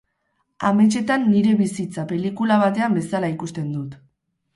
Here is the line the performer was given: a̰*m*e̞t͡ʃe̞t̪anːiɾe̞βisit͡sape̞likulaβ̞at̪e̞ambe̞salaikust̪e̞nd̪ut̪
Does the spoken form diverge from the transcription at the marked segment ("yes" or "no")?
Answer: no